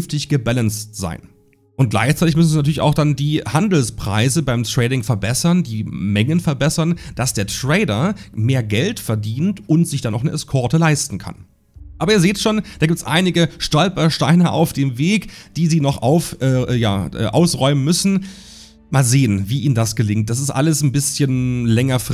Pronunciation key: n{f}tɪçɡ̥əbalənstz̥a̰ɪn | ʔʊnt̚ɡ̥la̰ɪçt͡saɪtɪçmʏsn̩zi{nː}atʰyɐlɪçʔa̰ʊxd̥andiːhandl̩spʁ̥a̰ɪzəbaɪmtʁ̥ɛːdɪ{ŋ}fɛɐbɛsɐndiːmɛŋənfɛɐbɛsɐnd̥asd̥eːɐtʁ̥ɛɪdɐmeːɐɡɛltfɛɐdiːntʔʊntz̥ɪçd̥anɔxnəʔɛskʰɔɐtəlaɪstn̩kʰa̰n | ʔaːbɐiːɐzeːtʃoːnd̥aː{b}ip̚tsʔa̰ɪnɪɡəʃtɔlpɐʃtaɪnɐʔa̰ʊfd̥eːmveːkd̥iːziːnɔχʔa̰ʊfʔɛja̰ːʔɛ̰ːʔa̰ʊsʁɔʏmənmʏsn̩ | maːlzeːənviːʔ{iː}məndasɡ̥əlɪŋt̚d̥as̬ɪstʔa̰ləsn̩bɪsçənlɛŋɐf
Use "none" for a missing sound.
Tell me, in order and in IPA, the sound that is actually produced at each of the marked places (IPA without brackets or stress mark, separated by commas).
f, n, ŋ, ɡ, iː